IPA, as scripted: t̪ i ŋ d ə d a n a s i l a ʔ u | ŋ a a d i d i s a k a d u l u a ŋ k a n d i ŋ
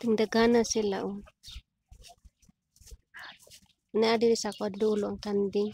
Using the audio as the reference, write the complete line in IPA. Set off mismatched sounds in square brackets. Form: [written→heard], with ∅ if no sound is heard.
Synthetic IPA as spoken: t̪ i ŋ d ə [d→ɡ] a n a s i l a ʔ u | [ŋ→n] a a d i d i s a k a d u l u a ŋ k a n d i ŋ